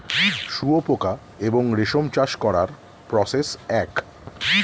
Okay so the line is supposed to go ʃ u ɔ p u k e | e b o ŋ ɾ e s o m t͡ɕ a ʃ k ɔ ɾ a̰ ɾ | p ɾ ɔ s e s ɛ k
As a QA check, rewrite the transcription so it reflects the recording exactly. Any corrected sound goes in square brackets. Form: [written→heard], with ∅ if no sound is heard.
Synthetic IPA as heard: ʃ u [ɔ→o] p [u→o] k [e→a] | e b o ŋ ɾ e [s→ʃ] o m t͡ɕ a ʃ k ɔ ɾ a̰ ɾ | p ɾ ɔ s e s ɛ k